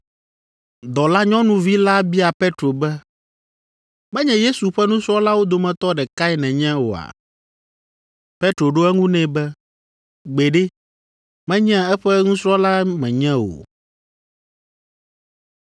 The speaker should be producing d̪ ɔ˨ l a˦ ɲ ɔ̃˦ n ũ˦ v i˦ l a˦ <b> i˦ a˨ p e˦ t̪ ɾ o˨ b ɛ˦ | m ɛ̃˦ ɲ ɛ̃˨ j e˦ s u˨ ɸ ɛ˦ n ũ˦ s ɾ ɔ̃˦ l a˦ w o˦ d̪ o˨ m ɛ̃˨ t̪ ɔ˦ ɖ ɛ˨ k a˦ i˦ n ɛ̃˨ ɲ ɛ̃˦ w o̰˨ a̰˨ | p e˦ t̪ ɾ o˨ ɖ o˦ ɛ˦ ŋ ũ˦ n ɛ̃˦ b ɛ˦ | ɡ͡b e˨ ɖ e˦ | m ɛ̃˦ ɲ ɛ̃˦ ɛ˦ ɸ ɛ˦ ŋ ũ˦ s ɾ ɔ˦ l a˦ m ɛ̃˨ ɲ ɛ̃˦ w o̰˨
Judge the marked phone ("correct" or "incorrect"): correct